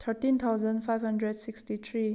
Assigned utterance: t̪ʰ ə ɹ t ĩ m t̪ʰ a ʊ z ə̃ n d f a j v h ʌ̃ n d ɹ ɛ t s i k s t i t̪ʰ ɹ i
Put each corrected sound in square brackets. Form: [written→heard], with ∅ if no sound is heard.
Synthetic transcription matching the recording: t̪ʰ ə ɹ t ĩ [m→n] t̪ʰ a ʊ z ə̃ n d f a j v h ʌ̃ n d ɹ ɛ [t→d] s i k s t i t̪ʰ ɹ i